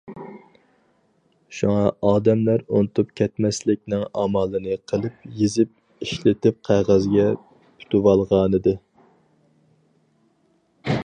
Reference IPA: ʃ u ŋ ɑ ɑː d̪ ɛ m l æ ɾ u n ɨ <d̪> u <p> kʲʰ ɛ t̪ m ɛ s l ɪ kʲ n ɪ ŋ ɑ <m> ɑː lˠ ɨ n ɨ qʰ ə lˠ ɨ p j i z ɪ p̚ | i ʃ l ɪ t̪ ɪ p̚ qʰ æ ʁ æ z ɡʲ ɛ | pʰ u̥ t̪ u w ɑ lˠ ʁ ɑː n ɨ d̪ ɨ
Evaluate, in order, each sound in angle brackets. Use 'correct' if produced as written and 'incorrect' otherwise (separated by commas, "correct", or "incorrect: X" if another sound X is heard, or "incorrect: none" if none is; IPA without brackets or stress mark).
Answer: incorrect: t̪, correct, correct